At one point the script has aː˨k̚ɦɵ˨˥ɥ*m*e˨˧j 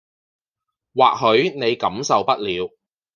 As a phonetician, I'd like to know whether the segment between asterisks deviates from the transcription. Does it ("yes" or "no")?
yes